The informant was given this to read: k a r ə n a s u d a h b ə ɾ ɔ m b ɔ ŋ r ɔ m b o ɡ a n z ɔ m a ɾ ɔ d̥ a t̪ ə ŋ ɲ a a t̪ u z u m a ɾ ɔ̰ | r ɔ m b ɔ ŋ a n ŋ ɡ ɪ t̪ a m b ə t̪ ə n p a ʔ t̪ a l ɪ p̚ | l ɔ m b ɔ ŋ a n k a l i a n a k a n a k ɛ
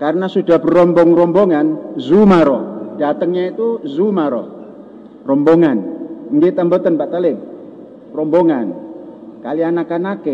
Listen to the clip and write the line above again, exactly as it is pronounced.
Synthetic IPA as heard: k a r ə n a s u d a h b ə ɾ ɔ m b ɔ ŋ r ɔ m b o ŋ a n z u m a ɾ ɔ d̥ a t̪ ə ŋ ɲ a i t̪ u z u m a ɾ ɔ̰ | r ɔ m b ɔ ŋ a n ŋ ɡ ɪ t̪ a m b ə t̪ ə n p a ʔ t̪ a l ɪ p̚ | r ɔ m b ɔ ŋ a n k a l i a n a k a n a k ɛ